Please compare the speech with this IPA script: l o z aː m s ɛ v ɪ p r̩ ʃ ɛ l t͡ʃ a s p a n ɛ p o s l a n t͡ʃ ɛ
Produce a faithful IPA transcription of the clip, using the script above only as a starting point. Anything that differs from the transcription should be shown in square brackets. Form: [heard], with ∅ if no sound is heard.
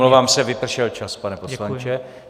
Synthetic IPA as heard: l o [v] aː m s ɛ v ɪ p r̩ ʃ ɛ l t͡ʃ a s p a n ɛ p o s l a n t͡ʃ ɛ